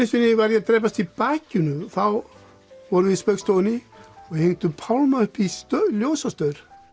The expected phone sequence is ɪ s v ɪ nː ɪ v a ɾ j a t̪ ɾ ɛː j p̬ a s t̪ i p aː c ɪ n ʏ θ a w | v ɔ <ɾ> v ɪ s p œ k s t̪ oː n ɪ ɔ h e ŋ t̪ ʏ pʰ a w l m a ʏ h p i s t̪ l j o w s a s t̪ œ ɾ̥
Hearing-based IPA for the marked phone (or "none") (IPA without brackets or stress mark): ɾ